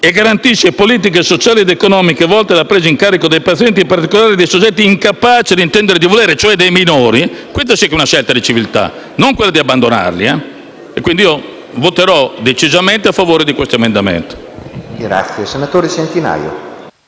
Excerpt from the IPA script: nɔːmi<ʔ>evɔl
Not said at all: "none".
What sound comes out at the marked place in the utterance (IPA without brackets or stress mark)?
k